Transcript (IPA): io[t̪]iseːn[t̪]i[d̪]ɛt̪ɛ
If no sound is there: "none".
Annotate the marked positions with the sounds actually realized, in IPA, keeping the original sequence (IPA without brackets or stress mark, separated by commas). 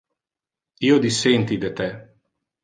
d̪, t̪, d̪